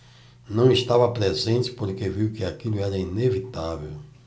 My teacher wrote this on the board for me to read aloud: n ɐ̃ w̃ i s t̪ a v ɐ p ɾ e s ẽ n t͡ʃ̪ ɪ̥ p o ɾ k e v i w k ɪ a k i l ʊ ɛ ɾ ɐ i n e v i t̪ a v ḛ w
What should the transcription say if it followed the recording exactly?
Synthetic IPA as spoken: n ɐ̃ w̃ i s t̪ a v ɐ p ɾ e z ẽ n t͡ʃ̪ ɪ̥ p o ɾ k e v i w k ɪ a k i l ʊ ɛ ɾ ɐ i n e v i t̪ a v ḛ w